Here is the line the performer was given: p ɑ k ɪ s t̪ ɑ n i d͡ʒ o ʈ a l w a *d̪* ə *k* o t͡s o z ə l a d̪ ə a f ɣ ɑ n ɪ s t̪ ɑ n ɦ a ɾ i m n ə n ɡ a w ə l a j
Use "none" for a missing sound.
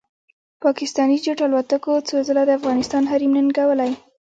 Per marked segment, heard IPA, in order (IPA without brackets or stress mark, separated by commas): t̪, k